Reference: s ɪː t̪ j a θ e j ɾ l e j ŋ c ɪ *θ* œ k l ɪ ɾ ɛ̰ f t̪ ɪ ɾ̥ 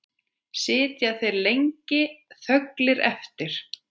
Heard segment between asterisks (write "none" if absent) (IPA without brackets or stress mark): θ